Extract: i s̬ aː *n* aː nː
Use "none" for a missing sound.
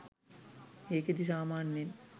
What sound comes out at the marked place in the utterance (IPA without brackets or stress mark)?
m